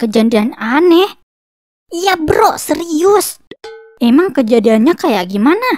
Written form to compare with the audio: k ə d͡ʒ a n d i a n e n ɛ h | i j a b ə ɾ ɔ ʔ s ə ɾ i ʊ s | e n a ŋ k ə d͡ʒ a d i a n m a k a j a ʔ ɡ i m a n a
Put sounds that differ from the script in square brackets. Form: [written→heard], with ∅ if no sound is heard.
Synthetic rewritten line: k ə d͡ʒ a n d i a n [e→a] n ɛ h | i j a b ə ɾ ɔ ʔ s ə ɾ i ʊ s | e [n→m] a ŋ k ə d͡ʒ a d i a n [m→ɲ] a k a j a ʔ ɡ i m a n a